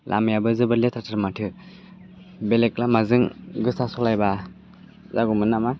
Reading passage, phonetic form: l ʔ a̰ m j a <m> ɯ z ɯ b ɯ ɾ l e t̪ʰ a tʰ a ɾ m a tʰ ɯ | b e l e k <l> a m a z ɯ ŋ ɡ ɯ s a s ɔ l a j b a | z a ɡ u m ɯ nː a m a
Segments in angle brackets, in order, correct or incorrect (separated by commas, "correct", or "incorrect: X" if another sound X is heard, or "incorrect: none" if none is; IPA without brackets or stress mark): incorrect: b, correct